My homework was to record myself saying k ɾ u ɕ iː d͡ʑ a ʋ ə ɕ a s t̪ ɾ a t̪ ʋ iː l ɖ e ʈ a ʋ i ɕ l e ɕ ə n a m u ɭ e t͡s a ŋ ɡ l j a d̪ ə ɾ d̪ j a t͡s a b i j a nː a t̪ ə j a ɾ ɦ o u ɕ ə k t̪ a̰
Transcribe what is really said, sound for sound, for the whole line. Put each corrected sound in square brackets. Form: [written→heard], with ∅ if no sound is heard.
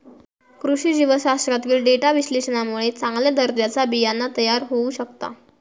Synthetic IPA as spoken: k ɾ u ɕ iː d͡ʑ [a→i] ʋ ə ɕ a s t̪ ɾ a t̪ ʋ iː l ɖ e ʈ a ʋ i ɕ l e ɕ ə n a m u ɭ e t͡s a ŋ ɡ l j a d̪ ə ɾ d̪ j a t͡s a b i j a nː a t̪ ə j a ɾ ɦ o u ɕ ə k t̪ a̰